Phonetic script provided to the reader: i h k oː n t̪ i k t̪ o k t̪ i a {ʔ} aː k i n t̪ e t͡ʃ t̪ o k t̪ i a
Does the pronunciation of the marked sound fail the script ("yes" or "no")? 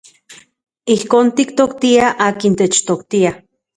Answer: no